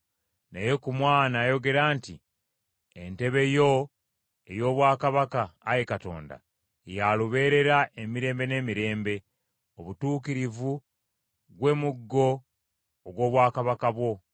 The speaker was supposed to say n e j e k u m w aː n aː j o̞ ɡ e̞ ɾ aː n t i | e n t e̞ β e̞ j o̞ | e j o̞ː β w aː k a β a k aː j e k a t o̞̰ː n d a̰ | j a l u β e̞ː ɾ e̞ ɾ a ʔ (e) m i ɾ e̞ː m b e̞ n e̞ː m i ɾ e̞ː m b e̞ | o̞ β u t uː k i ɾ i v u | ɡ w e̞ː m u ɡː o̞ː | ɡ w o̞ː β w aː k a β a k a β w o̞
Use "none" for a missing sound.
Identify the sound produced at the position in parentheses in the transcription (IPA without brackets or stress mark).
e